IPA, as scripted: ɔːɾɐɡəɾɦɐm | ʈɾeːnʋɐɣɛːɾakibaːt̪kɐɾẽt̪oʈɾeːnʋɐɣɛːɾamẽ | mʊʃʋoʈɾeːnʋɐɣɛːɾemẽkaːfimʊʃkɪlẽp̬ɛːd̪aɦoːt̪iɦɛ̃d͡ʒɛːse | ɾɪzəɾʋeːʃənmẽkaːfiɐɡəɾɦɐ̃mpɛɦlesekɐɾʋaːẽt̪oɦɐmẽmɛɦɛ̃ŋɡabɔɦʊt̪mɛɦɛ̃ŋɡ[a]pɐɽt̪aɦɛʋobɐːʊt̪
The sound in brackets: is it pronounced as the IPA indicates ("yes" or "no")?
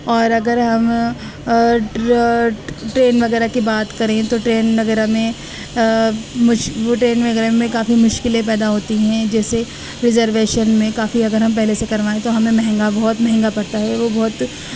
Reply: yes